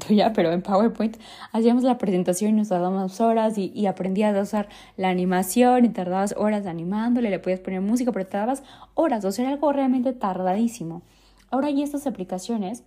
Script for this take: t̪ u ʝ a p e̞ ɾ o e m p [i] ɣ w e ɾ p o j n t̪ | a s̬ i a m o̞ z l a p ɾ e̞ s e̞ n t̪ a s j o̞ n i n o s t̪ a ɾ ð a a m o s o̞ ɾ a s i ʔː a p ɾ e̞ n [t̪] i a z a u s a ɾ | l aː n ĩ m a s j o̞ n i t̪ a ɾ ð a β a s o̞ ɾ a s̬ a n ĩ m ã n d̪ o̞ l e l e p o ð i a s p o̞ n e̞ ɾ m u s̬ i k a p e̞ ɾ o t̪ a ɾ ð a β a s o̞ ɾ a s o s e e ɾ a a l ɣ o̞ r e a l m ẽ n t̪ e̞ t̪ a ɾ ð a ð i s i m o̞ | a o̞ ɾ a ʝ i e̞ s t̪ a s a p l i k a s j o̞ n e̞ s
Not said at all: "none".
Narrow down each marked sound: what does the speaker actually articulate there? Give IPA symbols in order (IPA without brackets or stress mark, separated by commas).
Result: a, d̪